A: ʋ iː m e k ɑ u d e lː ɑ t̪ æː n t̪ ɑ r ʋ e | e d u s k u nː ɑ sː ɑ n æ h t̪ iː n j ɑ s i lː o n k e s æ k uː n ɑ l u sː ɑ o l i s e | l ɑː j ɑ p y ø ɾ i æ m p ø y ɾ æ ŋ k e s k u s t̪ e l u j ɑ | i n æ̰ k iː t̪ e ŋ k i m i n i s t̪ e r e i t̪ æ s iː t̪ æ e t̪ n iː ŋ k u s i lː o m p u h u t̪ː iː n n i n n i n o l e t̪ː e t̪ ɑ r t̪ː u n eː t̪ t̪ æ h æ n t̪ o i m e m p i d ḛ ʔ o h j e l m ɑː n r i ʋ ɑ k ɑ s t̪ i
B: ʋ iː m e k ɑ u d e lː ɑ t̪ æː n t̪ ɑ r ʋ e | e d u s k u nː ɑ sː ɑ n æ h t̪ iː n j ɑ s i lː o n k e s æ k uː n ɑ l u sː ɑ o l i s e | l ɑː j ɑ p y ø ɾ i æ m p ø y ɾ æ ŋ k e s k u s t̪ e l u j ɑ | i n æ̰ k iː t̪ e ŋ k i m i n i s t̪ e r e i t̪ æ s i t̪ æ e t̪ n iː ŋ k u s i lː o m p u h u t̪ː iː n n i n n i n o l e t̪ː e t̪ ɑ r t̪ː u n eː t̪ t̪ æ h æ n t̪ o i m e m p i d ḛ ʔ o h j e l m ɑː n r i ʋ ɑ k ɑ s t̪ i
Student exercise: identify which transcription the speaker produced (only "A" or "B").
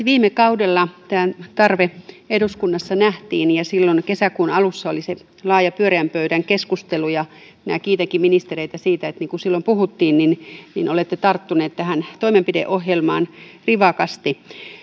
A